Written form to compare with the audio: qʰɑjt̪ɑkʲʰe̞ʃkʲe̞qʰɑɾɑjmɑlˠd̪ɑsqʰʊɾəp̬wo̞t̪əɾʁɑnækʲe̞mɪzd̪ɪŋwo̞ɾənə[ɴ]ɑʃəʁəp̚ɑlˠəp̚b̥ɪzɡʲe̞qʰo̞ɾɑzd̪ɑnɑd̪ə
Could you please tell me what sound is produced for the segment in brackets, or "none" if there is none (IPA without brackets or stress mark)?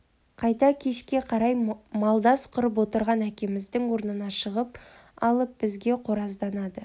n